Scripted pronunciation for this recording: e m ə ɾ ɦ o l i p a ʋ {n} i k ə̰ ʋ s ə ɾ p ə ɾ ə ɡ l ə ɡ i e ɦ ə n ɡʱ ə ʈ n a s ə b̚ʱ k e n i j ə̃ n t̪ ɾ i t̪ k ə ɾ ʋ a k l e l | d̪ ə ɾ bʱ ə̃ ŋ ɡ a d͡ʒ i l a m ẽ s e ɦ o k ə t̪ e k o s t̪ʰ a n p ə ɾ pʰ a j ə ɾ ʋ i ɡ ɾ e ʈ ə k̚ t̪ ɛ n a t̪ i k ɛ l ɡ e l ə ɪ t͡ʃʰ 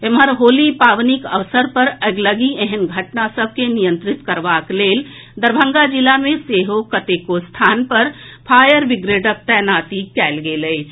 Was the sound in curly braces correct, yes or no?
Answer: yes